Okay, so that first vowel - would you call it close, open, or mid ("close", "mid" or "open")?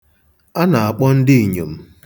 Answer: open